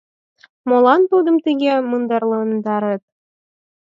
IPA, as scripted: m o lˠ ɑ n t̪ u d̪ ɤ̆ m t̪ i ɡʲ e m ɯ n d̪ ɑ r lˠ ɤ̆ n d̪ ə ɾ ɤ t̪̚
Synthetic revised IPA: m o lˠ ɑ n t̪ u d̪ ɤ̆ m t̪ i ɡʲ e m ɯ n d̪ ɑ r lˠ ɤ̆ n d̪ ɑ ɾ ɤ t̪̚